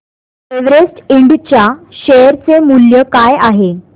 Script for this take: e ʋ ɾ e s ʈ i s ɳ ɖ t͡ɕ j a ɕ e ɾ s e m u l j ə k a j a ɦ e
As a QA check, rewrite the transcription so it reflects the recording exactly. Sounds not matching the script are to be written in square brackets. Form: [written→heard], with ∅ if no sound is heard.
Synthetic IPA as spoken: e ʋ ɾ e s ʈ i [s→∅] ɳ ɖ t͡ɕ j a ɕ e ɾ [s→t͡s] e m u l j ə k a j a ɦ e